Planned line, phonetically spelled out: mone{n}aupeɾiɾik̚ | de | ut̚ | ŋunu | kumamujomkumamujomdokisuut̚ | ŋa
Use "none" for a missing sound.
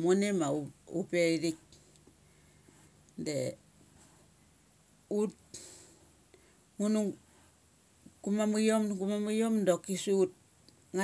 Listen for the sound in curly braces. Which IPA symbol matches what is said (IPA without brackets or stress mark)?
m